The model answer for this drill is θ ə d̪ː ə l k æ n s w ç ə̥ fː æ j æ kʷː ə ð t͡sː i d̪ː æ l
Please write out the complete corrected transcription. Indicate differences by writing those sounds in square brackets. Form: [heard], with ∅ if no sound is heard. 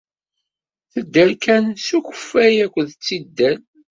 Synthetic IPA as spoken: θ ə d̪ː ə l k æ n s [u] ç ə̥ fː æ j æ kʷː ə ð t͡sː i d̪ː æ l